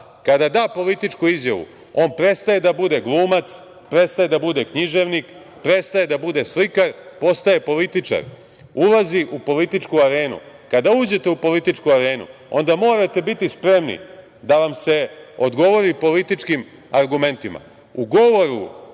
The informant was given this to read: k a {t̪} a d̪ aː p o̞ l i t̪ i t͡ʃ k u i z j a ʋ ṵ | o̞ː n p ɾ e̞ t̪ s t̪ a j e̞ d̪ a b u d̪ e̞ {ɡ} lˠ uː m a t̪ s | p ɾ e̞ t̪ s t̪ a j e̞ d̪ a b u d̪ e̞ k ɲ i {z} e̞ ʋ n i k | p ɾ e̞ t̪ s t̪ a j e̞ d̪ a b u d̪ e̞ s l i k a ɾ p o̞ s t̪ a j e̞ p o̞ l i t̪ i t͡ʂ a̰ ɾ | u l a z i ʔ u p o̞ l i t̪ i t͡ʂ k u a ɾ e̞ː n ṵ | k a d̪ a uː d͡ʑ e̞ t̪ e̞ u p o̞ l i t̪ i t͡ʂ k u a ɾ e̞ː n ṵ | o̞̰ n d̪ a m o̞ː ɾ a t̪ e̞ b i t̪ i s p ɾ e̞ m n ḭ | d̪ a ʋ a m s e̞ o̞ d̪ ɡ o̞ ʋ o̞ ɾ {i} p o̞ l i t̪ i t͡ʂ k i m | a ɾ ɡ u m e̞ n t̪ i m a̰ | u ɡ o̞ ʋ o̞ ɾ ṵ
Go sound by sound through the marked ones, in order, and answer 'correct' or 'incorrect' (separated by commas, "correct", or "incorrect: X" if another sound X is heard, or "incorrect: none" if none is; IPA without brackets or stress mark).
incorrect: d̪, correct, incorrect: ʒ, correct